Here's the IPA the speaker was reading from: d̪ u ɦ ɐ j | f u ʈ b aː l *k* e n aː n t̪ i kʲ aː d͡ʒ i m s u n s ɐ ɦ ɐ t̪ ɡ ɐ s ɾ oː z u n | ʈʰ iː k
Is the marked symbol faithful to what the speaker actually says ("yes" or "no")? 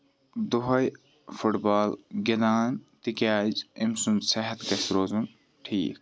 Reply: no